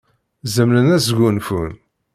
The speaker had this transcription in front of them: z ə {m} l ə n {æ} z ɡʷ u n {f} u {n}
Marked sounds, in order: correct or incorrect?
correct, correct, correct, correct

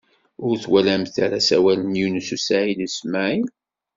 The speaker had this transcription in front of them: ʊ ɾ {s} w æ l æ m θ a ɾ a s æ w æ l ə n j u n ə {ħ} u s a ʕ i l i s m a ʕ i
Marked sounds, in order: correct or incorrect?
incorrect: θ, incorrect: s

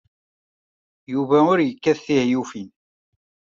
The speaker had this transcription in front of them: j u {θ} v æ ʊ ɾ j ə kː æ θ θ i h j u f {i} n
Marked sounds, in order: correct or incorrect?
incorrect: none, correct

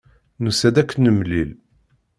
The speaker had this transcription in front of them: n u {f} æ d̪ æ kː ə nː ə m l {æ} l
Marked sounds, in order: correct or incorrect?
incorrect: s, incorrect: i

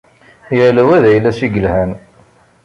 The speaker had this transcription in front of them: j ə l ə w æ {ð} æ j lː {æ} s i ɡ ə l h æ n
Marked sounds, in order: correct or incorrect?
correct, correct

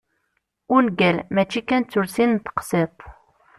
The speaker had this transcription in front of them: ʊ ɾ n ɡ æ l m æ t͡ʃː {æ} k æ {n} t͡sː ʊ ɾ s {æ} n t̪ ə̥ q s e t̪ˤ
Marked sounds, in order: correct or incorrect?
incorrect: i, correct, incorrect: i

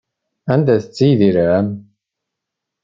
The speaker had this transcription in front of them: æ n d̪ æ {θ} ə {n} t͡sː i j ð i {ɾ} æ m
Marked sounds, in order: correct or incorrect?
correct, incorrect: none, correct

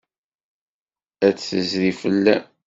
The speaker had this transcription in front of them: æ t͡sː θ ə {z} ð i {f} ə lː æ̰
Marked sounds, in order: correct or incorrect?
correct, correct

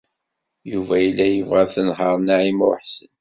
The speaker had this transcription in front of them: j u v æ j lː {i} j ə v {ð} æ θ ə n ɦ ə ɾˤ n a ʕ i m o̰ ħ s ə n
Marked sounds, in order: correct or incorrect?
incorrect: æ, incorrect: ʁ

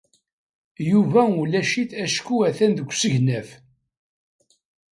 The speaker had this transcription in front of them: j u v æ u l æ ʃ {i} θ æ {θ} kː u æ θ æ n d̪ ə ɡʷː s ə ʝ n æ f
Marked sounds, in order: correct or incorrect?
correct, incorrect: ʃ

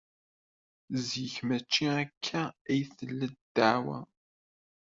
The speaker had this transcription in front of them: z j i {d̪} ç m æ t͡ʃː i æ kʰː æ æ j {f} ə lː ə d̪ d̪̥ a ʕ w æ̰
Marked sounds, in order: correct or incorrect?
incorrect: none, incorrect: θ

